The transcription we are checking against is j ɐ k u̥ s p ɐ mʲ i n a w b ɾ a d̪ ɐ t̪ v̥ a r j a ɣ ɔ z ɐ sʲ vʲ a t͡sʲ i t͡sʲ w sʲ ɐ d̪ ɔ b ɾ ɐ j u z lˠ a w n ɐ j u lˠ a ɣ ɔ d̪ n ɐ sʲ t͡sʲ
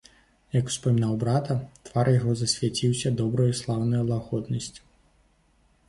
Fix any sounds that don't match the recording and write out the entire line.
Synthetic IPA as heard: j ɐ k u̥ s p ɐ mʲ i n a w b ɾ a t̪ ɐ t̪ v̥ a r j a ɣ ɔ z ɐ sʲ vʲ a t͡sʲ i w sʲ ɐ d̪ ɔ b ɾ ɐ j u s lˠ a w n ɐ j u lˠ a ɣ ɔ d̪ n ɐ sʲ t͡sʲ